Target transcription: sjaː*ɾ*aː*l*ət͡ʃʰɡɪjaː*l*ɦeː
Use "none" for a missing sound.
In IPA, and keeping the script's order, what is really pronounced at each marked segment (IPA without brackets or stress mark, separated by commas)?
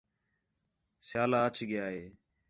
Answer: l, none, none